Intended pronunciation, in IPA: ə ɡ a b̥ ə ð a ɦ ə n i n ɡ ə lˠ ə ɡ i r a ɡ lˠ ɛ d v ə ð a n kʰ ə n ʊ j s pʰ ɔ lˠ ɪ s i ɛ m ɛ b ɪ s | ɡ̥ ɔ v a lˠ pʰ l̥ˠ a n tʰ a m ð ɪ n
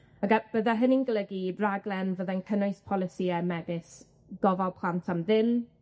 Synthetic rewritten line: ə ɡ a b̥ ə ð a ɦ ə n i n ɡ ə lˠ ə ɡ i r a ɡ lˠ ɛ n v ə ð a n kʰ ə n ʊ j s pʰ ɔ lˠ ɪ s i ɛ m ɛ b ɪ s | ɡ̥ ɔ v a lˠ pʰ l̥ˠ a n tʰ a m ð ɪ n